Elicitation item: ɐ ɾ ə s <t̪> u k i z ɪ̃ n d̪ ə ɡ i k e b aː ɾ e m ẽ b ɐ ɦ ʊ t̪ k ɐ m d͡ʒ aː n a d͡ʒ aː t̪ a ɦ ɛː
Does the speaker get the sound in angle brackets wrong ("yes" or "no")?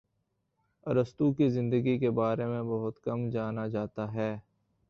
no